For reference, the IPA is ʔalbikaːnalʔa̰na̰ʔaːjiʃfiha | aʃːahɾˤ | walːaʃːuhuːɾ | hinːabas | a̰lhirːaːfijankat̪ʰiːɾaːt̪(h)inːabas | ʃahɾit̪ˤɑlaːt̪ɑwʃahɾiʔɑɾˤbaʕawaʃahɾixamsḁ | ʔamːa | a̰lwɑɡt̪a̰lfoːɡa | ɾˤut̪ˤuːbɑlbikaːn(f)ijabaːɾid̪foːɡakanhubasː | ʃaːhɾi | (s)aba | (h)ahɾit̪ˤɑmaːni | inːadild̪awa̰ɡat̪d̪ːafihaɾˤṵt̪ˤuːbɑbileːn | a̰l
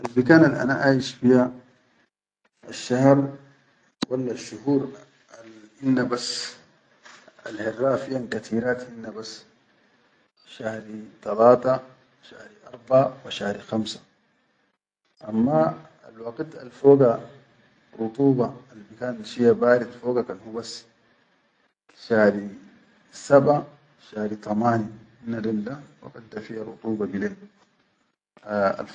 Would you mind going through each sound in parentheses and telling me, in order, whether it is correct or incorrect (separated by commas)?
correct, incorrect, correct, incorrect